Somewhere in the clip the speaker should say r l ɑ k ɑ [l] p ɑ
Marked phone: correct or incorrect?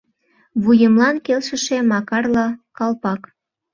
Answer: correct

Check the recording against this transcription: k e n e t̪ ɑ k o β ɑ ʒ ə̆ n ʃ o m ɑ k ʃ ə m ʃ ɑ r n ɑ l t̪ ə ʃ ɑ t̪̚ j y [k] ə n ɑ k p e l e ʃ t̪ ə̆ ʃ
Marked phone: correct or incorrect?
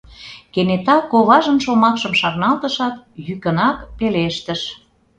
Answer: correct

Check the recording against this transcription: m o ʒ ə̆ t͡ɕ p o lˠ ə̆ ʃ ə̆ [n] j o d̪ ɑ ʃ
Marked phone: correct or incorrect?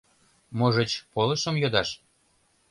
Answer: incorrect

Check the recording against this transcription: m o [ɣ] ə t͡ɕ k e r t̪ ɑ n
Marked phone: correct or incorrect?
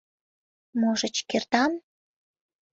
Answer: incorrect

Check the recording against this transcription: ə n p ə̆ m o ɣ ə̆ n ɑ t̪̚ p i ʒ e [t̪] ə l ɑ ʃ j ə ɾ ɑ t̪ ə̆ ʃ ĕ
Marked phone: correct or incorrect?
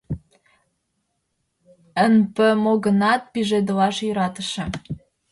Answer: incorrect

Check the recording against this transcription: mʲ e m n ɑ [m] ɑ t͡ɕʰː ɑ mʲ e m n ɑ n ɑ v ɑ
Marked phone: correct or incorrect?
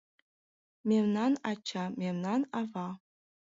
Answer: incorrect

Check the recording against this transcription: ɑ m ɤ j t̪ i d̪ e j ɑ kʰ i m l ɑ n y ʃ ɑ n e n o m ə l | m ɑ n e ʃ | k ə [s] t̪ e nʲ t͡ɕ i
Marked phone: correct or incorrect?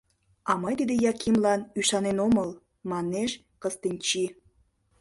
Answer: correct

